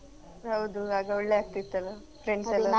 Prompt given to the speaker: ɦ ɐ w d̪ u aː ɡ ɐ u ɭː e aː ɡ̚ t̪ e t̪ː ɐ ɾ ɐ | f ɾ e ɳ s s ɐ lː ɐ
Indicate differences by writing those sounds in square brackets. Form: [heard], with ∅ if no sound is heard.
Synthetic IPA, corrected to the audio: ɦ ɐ w d̪ u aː ɡ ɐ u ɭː e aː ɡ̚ t̪ [i] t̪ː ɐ [l] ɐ | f ɾ e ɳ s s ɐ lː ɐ